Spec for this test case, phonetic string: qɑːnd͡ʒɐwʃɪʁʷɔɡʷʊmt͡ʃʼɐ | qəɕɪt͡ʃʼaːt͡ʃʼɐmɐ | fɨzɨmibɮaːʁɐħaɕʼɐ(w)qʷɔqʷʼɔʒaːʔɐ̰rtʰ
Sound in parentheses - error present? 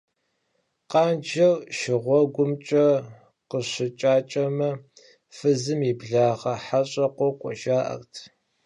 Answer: yes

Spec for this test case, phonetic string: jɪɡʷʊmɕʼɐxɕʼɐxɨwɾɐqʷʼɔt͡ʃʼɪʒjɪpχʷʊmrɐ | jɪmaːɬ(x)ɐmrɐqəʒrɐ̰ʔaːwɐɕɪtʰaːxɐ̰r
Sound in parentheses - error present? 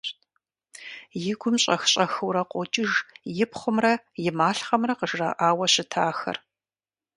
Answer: yes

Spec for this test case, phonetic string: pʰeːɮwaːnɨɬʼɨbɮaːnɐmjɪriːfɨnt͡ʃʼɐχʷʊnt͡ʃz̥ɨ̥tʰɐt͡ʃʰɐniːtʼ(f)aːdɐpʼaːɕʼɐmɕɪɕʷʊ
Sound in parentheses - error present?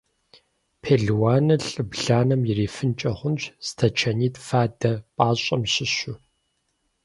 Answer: no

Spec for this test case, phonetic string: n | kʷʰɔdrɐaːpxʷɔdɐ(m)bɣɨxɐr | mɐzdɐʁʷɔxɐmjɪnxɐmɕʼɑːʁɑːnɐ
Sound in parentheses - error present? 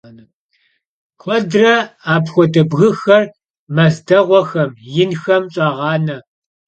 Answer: yes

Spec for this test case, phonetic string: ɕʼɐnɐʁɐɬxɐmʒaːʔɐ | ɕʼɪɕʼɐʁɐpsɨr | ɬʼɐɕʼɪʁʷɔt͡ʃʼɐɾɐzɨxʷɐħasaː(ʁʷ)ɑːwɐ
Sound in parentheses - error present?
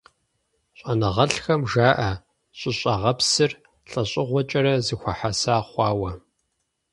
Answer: yes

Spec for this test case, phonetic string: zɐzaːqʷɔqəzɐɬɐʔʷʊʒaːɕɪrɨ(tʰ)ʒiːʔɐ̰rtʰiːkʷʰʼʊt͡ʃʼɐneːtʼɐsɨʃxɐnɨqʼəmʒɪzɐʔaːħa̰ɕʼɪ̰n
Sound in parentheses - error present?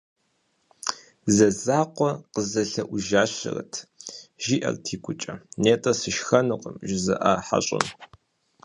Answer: no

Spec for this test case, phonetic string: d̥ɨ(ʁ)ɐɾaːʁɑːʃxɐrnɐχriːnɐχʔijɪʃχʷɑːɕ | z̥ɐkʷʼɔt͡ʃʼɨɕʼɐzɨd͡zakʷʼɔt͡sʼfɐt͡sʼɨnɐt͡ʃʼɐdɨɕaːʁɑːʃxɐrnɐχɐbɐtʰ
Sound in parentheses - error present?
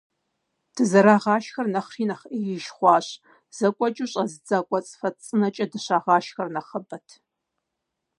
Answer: yes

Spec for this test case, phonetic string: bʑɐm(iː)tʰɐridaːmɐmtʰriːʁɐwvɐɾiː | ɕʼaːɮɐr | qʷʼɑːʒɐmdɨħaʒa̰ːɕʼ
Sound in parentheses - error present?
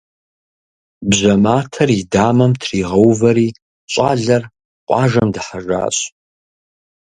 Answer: yes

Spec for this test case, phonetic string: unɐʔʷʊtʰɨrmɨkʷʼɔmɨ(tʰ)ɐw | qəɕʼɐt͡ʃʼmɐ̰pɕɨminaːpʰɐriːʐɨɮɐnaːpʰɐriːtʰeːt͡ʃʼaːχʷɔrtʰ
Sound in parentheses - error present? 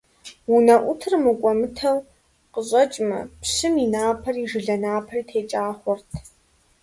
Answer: no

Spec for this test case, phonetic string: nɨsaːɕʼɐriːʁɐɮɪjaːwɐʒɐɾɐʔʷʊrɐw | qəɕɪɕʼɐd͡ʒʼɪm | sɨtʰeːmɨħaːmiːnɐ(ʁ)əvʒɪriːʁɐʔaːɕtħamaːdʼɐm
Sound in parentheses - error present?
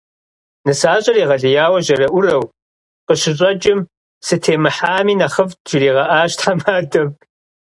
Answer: yes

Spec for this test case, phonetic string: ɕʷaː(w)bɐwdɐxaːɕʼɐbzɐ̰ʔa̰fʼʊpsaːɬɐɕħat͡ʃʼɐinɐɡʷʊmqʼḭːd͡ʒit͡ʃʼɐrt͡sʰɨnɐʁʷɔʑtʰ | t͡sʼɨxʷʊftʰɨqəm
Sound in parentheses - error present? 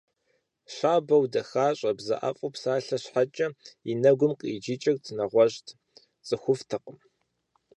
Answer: yes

